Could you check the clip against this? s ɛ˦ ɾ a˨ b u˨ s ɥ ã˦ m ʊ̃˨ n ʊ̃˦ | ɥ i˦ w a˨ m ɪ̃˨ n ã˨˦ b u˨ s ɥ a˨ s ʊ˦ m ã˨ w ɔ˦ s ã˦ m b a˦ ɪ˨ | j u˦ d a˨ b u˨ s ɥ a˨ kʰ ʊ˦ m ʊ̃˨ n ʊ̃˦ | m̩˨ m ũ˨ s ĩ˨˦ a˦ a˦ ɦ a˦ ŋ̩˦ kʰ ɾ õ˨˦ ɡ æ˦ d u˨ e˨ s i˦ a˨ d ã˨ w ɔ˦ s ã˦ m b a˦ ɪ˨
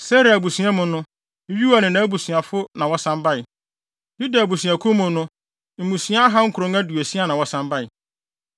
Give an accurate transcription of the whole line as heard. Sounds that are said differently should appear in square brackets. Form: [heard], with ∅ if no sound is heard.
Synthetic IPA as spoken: s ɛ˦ ɾ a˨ b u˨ s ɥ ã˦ m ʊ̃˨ n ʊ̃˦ | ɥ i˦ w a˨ [n] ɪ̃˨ n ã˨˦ b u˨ s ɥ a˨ [f] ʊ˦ [n] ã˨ w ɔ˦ s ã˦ m b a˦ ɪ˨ | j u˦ d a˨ b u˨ s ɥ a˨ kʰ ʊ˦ m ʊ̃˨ n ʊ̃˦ | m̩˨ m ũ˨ s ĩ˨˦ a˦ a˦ ɦ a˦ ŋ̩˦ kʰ ɾ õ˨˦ [ŋ] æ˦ d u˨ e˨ s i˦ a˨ [n] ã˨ w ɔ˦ s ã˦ m b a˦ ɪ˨

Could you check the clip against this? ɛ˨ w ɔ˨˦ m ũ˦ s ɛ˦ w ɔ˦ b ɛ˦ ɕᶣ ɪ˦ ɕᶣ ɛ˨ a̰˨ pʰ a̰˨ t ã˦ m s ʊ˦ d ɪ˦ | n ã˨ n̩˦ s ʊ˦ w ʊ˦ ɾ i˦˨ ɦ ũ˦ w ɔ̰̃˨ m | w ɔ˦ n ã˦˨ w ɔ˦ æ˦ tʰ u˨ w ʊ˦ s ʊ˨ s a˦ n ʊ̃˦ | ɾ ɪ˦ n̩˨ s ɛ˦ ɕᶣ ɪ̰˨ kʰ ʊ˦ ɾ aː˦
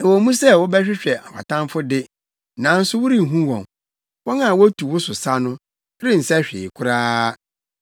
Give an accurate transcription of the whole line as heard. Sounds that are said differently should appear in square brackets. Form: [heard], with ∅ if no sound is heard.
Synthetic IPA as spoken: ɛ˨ w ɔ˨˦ m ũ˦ s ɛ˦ w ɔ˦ b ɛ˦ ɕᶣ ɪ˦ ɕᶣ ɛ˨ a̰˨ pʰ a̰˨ t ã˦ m [f] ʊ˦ d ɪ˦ | n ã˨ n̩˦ s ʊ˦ w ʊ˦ ɾ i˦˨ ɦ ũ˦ w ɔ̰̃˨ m | w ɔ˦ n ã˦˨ w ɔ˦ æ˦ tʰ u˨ w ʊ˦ s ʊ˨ s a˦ n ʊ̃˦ | ɾ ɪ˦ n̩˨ s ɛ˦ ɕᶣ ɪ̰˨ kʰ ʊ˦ ɾ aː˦

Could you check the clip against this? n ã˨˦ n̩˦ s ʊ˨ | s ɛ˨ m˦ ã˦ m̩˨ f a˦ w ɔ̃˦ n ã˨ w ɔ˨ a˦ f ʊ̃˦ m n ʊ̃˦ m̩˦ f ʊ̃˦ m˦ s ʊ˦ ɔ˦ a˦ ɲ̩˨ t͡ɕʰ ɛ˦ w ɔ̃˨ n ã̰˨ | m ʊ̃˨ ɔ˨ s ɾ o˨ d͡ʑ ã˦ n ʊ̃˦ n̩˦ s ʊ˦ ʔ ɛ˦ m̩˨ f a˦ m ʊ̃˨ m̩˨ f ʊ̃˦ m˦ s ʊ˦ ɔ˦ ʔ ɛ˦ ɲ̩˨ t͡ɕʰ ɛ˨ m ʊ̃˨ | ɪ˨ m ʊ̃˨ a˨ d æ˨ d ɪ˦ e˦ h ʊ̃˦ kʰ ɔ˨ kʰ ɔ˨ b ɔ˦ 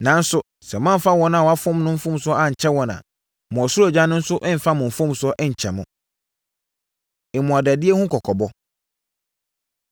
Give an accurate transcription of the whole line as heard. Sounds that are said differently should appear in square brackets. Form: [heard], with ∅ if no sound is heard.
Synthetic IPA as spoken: n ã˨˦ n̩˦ s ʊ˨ | s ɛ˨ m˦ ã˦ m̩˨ f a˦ w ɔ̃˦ n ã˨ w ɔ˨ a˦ f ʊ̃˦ m n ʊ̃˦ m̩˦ f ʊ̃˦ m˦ s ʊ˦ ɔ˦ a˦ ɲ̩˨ t͡ɕʰ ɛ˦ w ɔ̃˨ n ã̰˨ | m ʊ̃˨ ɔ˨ s ɾ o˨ d͡ʑ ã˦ n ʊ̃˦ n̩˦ s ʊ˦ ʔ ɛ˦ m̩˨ f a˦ m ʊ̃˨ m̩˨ f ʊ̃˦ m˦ s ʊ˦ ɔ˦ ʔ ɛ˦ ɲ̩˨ t͡ɕʰ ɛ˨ m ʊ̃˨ | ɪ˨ m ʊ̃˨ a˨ d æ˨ d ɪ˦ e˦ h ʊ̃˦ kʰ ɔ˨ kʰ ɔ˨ b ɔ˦

